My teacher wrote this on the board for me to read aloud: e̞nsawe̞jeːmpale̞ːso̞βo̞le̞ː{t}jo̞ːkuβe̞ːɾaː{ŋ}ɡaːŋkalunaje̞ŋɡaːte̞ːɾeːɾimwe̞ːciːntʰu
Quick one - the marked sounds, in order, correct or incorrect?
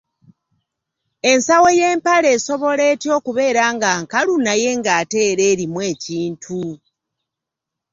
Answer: correct, correct

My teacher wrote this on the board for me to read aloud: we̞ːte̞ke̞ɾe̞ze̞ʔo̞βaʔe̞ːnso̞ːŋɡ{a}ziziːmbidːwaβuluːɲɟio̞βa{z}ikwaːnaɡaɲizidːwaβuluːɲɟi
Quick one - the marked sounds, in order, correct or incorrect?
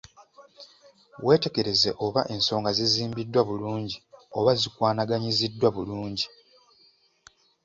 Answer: correct, correct

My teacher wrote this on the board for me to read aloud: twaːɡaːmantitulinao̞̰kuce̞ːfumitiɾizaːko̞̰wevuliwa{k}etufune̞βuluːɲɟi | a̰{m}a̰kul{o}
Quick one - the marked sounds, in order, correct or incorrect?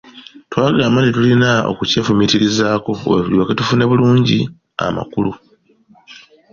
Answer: correct, correct, incorrect: u

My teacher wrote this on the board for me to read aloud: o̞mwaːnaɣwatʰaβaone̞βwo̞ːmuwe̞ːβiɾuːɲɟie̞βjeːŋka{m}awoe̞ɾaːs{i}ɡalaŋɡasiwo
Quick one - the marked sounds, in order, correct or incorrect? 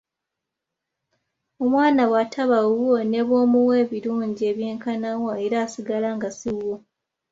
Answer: incorrect: n, correct

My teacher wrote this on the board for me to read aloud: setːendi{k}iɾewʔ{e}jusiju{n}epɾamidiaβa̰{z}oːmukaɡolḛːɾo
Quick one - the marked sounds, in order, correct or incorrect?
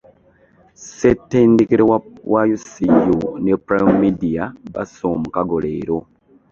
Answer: correct, incorrect: a, correct, incorrect: s

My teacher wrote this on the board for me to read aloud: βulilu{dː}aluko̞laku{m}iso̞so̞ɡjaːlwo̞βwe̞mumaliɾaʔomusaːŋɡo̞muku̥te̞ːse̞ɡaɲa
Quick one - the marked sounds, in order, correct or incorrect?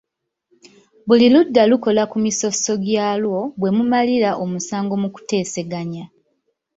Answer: correct, correct

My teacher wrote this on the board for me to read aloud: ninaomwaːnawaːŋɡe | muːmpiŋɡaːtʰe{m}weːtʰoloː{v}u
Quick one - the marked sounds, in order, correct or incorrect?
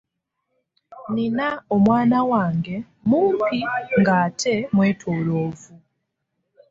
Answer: correct, correct

